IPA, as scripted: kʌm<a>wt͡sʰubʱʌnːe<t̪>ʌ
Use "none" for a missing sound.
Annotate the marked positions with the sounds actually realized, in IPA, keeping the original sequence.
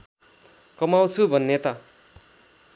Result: a, t̪

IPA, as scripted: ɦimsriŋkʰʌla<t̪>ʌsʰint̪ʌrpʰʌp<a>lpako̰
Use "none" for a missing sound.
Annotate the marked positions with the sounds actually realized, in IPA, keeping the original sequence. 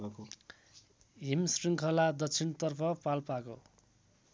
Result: d̪, a

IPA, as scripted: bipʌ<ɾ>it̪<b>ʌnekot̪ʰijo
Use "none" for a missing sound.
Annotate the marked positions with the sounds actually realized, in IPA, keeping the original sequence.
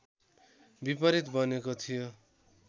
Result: ɾ, b

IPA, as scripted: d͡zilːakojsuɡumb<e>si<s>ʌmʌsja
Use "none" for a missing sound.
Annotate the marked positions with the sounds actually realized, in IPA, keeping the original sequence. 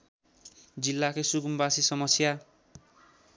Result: a, s

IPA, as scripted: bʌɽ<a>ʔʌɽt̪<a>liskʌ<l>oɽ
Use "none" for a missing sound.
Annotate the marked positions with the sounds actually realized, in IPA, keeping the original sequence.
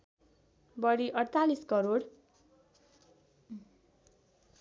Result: i, a, ɾ

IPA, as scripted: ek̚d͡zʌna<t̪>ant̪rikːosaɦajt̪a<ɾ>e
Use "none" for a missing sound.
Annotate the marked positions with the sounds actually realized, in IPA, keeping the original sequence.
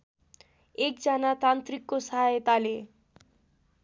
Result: t̪, l

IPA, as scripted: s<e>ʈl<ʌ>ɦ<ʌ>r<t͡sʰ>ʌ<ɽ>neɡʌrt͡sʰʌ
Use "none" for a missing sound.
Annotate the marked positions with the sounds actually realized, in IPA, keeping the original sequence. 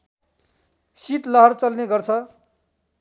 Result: i, ʌ, ʌ, t͡s, l

